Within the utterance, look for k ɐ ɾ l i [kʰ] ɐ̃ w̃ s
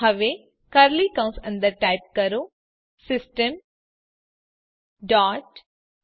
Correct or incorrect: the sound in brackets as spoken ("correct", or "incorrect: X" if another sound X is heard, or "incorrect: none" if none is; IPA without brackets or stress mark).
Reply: incorrect: k